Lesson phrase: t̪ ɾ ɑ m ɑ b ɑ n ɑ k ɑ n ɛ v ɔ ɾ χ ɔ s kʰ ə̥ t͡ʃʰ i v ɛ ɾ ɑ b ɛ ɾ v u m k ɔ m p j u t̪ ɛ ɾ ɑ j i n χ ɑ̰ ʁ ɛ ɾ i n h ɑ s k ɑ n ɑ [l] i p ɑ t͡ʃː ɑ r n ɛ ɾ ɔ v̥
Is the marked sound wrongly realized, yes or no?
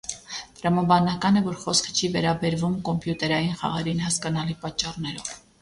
no